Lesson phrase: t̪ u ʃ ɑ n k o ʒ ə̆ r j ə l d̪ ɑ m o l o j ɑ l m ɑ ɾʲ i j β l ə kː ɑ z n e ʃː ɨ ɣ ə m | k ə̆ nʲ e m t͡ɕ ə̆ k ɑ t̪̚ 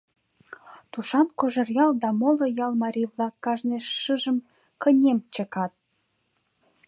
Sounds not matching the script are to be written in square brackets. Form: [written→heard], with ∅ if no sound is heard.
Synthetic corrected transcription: t̪ u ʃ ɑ n k o ʒ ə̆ r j [ə→ɑ] l d̪ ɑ m o l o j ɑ l m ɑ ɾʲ i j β l [ə→ɑ] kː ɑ [z→ʒ] n e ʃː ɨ [ɣ→ʒ] ə m | k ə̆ nʲ e m t͡ɕ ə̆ k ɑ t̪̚